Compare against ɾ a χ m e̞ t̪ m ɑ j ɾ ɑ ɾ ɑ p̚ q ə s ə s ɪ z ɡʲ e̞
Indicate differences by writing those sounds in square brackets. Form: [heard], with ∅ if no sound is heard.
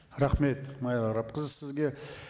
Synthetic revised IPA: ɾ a χ m e̞ t̪ m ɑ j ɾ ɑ ɾ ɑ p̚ q ə [z] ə s ɪ z ɡʲ e̞